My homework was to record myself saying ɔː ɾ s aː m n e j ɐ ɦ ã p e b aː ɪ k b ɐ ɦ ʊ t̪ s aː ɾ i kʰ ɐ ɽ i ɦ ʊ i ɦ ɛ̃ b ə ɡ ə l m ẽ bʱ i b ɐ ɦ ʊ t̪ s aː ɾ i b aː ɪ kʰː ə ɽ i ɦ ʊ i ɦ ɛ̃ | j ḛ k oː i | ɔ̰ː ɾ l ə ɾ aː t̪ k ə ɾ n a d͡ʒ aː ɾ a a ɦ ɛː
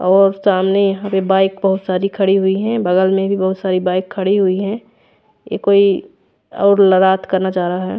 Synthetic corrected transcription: ɔː ɾ s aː m n e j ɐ ɦ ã p e b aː ɪ k b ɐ ɦ ʊ t̪ s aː ɾ i kʰ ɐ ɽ i ɦ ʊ i ɦ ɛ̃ b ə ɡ ə l m ẽ bʱ i b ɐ ɦ ʊ t̪ s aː ɾ i b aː ɪ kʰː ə ɽ i ɦ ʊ i ɦ ɛ̃ | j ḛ k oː i | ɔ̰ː ɾ l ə ɾ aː t̪ k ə ɾ n a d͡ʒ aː ɾ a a ɦ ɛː